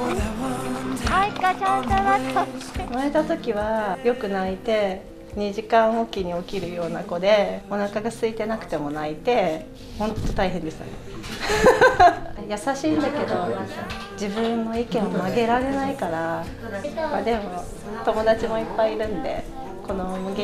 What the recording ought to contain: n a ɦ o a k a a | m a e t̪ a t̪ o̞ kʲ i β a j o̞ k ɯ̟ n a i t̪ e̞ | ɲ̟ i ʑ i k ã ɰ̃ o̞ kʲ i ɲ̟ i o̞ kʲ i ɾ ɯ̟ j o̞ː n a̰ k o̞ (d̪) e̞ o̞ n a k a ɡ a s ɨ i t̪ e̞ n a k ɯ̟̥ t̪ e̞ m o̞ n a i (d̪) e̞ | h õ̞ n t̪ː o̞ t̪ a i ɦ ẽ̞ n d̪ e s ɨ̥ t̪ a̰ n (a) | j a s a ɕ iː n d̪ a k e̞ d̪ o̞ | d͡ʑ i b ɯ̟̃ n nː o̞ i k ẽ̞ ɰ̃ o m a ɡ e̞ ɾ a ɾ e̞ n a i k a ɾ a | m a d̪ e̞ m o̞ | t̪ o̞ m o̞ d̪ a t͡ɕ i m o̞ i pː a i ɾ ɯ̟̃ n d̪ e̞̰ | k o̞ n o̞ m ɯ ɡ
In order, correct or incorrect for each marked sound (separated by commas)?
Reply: correct, incorrect, incorrect